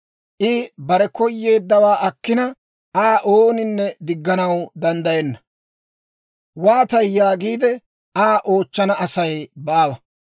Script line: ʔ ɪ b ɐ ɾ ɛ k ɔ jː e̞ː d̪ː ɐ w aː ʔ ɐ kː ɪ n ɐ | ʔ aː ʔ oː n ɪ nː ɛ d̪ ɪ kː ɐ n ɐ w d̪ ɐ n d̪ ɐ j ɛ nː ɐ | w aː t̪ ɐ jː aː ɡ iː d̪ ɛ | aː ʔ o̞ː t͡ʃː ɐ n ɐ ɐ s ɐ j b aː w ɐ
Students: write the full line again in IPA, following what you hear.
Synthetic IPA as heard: ʔ ɪ b ɐ ɾ ɛ k ɔ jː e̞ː d̪ː ɐ w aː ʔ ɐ kː ɪ n ɐ | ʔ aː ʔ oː n ɪ nː ɛ d̪ ɪ ɡː ɐ n ɐ w d̪ ɐ n d̪ ɐ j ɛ nː ɐ | w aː t̪ ɐ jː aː ɡ iː d̪ ɛ | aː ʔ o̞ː t͡ʃː ɐ n ɐ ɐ s ɐ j b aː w ɐ